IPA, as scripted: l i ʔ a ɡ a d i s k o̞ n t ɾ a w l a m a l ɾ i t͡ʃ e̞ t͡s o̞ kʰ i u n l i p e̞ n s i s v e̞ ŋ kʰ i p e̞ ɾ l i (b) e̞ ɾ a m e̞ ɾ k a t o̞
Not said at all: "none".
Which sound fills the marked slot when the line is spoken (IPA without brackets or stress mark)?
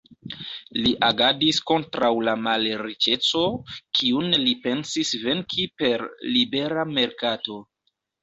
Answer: b